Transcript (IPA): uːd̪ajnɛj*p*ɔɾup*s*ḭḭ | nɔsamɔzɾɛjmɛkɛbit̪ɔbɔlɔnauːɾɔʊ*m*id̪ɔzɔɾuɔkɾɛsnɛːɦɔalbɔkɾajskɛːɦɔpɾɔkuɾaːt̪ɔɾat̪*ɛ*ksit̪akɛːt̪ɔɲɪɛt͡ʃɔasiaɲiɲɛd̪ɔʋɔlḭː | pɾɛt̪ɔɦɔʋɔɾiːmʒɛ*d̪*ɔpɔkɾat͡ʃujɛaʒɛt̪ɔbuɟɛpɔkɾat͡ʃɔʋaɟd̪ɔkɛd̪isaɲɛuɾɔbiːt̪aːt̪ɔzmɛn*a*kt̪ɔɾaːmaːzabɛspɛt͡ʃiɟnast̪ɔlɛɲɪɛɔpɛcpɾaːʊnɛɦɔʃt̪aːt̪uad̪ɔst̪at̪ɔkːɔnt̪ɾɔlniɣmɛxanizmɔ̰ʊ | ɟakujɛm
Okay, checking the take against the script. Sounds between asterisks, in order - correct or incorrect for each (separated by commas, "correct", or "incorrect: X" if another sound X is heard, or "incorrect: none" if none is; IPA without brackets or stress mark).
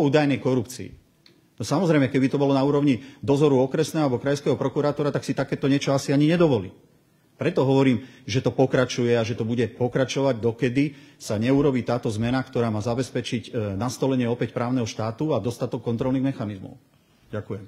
incorrect: k, incorrect: t͡s, incorrect: ɲ, incorrect: a, incorrect: t̪, correct